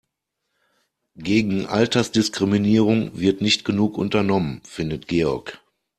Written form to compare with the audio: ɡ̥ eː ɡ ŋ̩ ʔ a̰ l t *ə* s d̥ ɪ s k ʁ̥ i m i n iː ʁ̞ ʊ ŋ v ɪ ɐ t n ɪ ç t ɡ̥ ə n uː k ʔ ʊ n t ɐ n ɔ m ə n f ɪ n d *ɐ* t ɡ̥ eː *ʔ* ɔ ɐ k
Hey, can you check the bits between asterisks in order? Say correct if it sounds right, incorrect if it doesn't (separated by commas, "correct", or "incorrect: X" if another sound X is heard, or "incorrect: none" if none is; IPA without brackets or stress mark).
incorrect: ɐ, incorrect: ə, incorrect: none